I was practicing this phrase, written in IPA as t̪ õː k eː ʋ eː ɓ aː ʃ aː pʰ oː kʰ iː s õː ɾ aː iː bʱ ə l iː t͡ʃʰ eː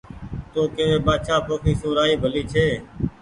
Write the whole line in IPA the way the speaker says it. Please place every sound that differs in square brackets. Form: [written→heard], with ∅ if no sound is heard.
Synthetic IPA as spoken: t̪ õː k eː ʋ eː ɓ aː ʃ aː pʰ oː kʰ iː s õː ɾ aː iː bʱ ə l iː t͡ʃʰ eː